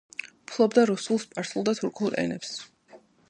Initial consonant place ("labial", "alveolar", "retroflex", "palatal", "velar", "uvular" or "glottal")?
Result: labial